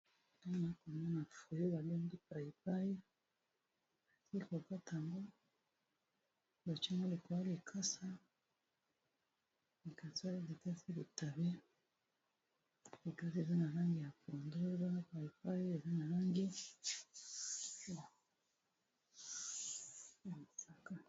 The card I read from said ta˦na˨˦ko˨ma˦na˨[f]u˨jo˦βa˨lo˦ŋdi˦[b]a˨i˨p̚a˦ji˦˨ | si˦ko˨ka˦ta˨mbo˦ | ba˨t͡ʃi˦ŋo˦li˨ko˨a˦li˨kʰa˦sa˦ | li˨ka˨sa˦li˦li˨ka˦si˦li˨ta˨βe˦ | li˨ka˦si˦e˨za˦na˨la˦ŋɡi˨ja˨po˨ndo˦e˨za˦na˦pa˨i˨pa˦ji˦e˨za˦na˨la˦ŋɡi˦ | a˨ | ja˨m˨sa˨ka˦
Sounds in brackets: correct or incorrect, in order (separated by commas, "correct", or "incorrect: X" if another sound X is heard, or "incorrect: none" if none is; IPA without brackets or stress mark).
correct, incorrect: p